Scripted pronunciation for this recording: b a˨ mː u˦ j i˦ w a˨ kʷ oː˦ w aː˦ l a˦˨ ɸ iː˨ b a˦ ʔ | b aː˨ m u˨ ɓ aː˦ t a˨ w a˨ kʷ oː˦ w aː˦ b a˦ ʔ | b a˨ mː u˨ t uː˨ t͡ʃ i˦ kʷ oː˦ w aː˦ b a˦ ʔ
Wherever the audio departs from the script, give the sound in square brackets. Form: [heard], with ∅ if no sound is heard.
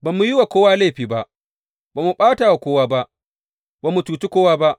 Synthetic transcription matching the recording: b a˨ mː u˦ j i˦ w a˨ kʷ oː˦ w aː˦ l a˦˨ ɸ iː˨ b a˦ ʔ | b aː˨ m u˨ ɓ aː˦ t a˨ w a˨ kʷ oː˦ w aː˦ b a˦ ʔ | b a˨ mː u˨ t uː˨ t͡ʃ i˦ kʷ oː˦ w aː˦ b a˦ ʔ